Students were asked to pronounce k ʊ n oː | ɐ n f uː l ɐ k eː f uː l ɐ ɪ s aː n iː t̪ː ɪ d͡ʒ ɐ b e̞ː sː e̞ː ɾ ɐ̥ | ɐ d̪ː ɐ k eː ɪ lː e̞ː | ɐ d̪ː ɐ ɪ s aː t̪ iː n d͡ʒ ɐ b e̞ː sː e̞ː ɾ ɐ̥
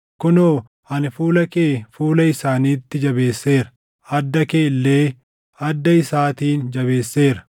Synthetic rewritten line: k ʊ n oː | ɐ n f uː l ɐ k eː f uː l ɐ ɪ s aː n iː t̪ː ɪ d͡ʒ ɐ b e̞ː sː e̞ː ɾ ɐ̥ | ɐ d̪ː ɐ k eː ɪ lː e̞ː | ɐ d̪ː ɐ ɪ s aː t̪ iː n d͡ʒ ɐ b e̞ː sː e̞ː ɾ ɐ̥